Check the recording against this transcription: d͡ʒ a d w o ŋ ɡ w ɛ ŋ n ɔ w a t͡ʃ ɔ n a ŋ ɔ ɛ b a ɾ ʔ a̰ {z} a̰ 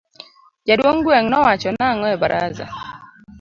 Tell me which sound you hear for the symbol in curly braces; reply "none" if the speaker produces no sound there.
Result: z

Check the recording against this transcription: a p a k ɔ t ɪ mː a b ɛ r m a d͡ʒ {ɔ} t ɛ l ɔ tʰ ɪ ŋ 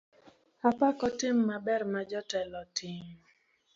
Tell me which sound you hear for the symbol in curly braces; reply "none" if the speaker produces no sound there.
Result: ɔ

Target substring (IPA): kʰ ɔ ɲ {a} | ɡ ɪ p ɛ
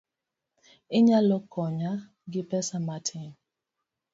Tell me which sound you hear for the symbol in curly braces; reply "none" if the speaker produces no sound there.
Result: a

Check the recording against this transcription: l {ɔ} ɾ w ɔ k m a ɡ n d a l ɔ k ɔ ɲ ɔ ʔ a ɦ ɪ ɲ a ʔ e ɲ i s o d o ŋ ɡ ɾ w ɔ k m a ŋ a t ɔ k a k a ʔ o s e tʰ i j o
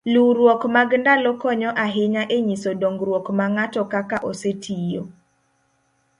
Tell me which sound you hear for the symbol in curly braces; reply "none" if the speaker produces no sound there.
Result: u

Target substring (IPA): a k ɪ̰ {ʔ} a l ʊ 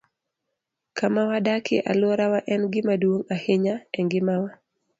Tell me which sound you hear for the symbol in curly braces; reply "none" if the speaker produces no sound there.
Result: ʔ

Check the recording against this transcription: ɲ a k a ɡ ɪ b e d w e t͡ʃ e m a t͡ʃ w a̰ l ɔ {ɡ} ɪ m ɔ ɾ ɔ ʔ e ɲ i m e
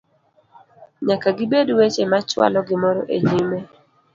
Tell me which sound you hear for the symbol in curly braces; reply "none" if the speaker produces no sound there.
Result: ɡ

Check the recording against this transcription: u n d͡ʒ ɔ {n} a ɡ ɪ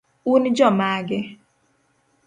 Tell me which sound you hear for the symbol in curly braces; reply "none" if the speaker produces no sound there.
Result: m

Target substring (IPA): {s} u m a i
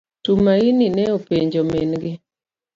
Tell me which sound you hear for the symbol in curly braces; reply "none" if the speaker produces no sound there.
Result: t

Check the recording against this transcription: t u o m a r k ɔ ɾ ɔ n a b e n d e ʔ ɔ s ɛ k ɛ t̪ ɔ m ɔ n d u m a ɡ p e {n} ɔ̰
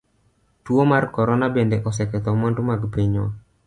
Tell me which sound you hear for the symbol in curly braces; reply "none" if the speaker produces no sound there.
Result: ɲ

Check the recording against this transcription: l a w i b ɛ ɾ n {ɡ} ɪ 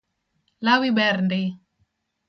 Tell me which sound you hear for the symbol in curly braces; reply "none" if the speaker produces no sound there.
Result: d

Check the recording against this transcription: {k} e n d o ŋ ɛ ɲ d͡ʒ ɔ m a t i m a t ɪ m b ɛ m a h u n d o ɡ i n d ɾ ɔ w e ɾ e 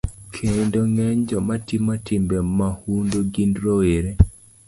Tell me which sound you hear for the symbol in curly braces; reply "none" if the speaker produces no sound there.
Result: kʰ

